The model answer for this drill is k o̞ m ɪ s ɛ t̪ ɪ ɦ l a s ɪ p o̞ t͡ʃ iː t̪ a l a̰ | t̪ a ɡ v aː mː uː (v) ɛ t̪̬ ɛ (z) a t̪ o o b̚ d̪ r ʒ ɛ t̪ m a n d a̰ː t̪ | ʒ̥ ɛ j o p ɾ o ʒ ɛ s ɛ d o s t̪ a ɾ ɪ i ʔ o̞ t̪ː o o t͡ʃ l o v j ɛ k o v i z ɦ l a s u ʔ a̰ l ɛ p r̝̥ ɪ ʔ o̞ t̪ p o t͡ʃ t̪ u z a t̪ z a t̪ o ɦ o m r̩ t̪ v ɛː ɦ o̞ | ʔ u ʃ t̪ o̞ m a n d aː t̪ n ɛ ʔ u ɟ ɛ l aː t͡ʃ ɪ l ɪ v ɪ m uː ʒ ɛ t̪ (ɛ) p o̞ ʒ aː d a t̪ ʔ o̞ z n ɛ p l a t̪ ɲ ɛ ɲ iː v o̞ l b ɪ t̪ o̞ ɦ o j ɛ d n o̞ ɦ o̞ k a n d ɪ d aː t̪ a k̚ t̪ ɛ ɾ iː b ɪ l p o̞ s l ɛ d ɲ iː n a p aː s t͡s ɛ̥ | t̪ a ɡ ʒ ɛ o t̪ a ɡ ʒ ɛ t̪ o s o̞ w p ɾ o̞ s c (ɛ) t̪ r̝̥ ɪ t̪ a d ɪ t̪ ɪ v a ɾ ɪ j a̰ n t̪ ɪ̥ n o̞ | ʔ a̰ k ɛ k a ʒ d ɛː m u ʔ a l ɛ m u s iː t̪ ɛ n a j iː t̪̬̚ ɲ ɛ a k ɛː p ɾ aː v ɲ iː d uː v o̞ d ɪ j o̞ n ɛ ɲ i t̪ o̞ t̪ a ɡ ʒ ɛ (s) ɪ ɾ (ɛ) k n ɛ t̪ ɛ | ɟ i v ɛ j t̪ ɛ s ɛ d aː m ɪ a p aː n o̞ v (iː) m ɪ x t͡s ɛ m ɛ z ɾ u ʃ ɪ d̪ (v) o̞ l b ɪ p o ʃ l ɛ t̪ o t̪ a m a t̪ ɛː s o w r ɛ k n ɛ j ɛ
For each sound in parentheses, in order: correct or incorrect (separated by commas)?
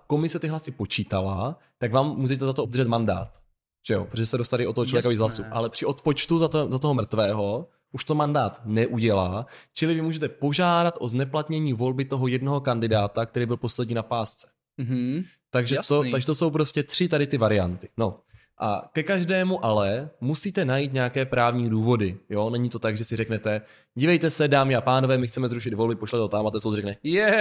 incorrect, correct, correct, correct, correct, correct, incorrect, correct